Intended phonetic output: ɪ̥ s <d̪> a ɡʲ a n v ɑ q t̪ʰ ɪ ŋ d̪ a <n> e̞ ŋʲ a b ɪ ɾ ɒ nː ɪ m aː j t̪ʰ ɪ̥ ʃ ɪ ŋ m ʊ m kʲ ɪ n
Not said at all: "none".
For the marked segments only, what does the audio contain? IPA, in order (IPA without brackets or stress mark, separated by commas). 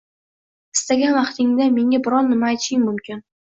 t̪, m